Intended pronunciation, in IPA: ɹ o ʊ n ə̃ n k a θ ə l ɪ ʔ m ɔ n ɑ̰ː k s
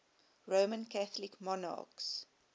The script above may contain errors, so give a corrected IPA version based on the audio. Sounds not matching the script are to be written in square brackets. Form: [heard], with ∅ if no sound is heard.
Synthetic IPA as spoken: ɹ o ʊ [m] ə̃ n k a θ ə l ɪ [k] m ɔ n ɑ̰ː k s